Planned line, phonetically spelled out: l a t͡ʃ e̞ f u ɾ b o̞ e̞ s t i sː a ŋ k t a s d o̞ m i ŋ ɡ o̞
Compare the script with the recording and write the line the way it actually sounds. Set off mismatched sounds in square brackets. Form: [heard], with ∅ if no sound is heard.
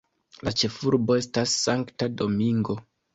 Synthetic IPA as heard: l a t͡ʃ e̞ f u ɾ b o̞ e̞ s t [a] sː a ŋ k t a [∅] d o̞ m i ŋ ɡ o̞